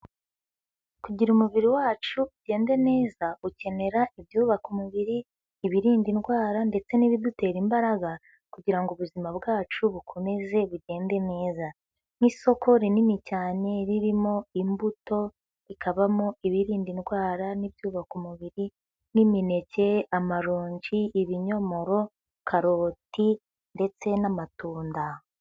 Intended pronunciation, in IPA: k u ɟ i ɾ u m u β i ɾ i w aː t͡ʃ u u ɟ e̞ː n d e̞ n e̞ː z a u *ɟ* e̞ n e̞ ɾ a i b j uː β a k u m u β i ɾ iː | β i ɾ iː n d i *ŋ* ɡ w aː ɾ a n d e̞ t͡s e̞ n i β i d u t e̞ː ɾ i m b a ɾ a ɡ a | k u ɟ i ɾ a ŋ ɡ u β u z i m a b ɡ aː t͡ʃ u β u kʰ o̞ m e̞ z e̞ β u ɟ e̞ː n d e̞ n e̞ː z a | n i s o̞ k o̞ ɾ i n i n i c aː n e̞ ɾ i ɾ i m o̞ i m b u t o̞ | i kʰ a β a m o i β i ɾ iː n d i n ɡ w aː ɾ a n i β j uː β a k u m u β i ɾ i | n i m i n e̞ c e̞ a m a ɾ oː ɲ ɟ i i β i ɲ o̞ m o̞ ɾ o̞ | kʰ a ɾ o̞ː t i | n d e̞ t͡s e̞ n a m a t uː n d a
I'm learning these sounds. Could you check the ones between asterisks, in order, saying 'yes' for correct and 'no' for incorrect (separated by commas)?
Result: no, no